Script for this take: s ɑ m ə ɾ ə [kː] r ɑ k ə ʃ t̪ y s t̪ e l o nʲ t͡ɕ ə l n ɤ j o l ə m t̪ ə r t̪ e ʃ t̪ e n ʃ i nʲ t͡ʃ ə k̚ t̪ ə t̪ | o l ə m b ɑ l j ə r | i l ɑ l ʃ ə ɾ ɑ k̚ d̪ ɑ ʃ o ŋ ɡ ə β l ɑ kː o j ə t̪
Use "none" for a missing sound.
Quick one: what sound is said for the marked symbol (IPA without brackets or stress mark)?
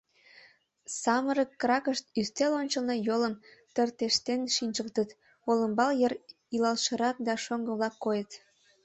kː